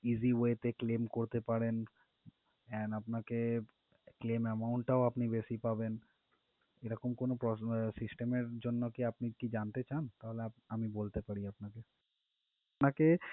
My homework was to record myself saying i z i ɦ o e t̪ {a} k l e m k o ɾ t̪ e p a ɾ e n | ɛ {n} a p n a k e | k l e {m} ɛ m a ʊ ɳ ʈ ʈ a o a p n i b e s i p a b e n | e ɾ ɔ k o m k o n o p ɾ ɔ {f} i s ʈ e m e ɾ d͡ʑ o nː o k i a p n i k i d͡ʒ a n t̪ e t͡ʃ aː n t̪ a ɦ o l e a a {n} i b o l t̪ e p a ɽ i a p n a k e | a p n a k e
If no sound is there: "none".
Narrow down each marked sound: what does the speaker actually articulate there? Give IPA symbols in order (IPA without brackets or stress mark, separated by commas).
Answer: e, n, m, s, m